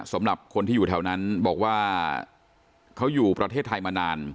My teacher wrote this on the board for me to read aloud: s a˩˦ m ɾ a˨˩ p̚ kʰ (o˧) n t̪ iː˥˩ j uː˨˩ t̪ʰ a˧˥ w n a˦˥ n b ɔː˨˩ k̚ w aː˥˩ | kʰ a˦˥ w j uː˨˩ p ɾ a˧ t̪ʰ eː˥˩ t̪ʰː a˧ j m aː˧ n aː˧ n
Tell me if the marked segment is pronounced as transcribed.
yes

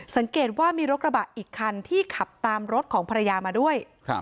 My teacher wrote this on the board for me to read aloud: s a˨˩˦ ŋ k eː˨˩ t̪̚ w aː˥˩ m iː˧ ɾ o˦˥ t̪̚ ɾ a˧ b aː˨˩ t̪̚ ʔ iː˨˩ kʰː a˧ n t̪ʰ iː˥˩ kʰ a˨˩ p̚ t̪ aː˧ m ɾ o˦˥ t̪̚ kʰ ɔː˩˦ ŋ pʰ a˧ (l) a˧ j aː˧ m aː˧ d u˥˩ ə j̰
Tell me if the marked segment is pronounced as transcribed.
no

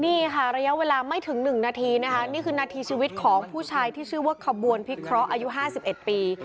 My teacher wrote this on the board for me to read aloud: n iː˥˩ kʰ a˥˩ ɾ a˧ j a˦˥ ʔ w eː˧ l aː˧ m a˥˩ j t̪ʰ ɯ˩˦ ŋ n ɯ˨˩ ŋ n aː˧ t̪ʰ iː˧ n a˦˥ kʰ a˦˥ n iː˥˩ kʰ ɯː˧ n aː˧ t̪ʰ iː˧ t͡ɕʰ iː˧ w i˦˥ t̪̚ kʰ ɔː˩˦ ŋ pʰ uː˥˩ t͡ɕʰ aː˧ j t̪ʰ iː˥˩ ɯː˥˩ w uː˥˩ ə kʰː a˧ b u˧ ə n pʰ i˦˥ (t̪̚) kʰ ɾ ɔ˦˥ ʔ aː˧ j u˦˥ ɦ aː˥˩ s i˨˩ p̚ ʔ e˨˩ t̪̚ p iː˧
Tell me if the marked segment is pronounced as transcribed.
no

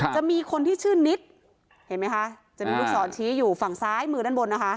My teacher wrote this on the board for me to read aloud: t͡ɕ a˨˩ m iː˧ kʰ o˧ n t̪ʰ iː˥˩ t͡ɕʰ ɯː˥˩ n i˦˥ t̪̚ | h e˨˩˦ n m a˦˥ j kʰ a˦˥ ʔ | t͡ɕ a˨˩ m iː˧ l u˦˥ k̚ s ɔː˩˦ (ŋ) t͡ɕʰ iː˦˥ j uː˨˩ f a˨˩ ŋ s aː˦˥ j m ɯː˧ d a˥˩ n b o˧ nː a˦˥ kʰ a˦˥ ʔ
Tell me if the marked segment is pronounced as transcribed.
no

